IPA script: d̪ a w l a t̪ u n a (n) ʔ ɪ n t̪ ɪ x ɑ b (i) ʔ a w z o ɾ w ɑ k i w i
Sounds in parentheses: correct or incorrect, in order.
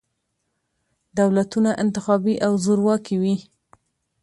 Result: incorrect, correct

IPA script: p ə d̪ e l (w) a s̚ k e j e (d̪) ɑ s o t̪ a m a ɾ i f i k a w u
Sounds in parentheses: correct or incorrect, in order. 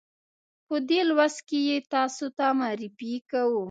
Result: correct, incorrect

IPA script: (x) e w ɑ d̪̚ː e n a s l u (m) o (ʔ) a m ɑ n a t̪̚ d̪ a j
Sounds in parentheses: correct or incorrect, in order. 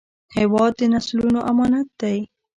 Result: incorrect, incorrect, correct

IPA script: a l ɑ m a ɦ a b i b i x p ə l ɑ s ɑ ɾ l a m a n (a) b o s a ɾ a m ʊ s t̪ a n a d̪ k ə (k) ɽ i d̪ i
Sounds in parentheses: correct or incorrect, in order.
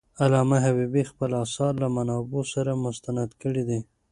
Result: incorrect, incorrect

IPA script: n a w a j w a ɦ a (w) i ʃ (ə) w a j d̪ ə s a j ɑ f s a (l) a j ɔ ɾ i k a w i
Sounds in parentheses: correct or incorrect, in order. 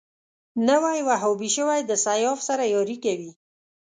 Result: incorrect, correct, incorrect

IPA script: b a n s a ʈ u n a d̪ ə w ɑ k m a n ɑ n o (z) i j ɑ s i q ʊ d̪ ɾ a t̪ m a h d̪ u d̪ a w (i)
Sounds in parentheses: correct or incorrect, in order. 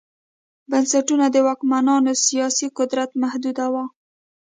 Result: incorrect, incorrect

